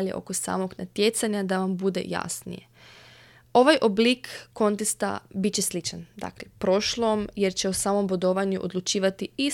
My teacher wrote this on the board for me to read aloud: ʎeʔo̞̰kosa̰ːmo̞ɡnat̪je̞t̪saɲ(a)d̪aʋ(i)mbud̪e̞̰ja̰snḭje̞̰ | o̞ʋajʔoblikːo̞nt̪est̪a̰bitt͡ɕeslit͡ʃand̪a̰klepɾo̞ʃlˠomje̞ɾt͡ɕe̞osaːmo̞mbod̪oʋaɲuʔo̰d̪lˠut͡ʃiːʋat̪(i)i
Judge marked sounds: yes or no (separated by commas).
yes, no, yes